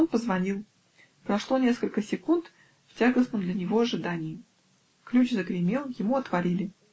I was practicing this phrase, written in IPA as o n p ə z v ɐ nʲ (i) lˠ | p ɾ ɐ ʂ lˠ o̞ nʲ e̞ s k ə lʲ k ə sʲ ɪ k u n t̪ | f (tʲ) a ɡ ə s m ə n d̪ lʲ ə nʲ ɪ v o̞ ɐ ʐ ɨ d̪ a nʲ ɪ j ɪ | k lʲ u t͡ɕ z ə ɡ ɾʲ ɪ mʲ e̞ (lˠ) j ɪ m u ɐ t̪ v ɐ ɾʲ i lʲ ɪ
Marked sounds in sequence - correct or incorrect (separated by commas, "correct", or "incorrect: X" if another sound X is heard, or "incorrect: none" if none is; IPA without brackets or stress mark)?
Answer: correct, correct, correct